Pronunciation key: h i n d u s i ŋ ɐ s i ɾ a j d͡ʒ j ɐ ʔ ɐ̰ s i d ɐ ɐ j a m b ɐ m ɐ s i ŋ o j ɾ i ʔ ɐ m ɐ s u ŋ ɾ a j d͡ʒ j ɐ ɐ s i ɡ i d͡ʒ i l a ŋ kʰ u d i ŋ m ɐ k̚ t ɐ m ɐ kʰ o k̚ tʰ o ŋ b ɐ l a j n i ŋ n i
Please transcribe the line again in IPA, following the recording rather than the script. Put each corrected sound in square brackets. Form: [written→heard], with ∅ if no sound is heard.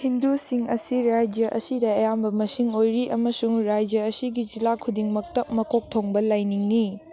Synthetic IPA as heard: h i n d u s i ŋ ɐ s i ɾ a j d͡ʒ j ɐ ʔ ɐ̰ s i d ɐ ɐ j a m b ɐ m ɐ s i ŋ o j ɾ i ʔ ɐ m ɐ s u ŋ ɾ a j d͡ʒ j ɐ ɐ s i ɡ i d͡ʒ i l a [ŋ→∅] kʰ u d i ŋ m ɐ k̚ t ɐ m ɐ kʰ o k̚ tʰ o ŋ b ɐ l a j n i ŋ n i